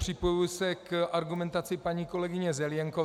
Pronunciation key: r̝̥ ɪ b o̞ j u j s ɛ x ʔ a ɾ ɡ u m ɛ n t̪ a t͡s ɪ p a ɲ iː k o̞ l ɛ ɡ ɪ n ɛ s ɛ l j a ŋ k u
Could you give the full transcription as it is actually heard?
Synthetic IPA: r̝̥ ɪ p o̞ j u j s ɛ k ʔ a ɾ ɡ u m ɛ n t̪ a t͡s ɪ p a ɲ iː k o̞ l ɛ ɡ ɪ ɲ ɛ z ɛ l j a ŋ k o